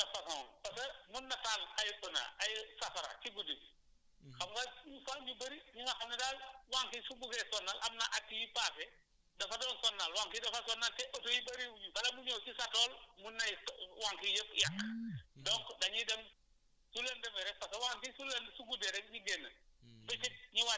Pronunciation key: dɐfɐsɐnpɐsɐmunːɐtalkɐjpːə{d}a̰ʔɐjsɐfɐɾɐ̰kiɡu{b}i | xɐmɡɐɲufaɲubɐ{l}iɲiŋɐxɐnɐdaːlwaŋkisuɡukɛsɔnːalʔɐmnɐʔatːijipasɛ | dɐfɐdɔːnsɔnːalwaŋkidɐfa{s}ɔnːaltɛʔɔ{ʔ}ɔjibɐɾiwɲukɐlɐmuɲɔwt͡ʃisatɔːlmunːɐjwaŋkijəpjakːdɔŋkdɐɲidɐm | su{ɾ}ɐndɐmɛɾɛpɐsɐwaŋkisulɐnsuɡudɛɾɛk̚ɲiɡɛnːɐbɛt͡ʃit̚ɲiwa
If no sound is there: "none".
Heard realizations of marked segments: n, d, ɾ, s, t, l

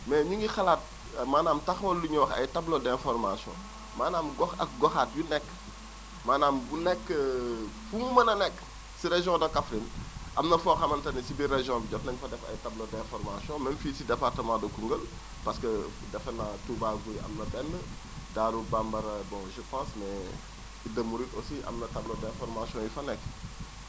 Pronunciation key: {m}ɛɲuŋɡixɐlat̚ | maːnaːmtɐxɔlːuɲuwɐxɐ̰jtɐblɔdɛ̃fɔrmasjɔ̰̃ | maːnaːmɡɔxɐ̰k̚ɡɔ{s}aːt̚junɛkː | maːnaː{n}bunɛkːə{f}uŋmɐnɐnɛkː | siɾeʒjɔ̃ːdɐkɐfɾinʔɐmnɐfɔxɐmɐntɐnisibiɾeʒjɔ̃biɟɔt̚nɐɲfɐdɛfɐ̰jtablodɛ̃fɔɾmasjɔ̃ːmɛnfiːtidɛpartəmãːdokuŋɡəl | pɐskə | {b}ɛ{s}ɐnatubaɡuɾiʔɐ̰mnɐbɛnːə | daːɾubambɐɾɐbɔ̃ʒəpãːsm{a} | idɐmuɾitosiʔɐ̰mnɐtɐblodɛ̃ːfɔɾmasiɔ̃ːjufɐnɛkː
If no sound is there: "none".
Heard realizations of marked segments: m, x, m, f, d, f, ɛ

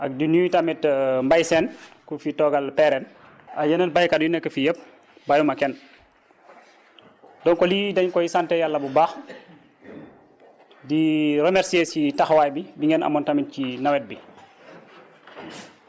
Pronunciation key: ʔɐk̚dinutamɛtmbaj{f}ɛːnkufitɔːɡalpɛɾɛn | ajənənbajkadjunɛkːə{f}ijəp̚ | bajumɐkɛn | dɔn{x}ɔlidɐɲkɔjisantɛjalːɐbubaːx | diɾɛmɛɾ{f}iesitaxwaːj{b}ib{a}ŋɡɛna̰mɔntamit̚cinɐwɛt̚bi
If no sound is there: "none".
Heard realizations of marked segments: s, f, k, s, b, i

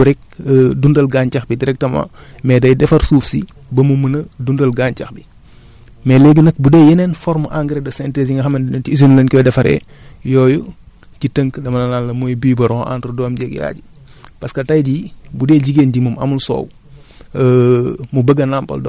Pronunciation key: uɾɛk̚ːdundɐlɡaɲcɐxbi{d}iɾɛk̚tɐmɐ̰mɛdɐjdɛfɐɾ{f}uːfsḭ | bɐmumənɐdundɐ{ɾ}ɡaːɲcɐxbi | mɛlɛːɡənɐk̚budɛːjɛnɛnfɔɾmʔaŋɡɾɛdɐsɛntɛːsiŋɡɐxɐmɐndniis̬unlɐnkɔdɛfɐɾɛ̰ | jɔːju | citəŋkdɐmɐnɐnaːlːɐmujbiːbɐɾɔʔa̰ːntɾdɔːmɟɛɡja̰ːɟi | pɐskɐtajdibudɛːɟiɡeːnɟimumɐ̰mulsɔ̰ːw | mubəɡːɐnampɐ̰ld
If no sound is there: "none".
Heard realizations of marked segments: d, s, l

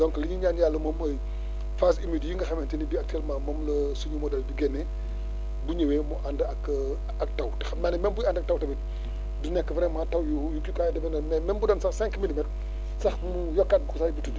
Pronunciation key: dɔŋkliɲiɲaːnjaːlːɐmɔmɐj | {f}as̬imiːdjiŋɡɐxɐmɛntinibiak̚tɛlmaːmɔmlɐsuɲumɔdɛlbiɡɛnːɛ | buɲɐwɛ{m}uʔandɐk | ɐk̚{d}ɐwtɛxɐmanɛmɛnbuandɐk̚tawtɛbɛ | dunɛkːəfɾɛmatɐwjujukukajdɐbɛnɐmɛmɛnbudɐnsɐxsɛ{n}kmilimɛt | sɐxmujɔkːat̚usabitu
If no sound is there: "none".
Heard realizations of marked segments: f, m, t, ŋ

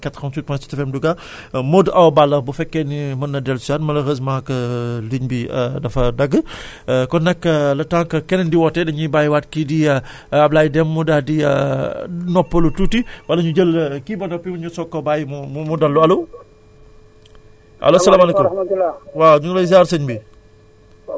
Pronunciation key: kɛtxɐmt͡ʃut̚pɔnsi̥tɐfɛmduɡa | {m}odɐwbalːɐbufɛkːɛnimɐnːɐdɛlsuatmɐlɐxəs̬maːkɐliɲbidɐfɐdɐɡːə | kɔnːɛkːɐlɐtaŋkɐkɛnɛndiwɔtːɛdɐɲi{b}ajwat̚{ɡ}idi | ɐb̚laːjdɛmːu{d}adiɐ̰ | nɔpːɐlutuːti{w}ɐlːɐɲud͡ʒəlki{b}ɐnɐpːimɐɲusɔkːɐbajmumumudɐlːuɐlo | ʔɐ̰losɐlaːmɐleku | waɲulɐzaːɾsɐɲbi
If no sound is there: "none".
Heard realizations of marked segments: m, b, k, d, w, b

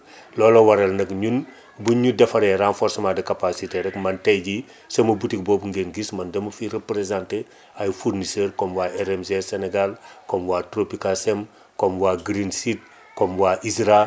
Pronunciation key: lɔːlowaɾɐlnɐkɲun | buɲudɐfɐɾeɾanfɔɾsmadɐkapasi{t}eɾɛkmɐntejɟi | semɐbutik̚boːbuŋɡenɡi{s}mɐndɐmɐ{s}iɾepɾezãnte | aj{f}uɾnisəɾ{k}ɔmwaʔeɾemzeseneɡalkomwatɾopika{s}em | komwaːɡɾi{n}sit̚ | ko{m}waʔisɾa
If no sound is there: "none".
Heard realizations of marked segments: t, s, f, f, k, s, n, m

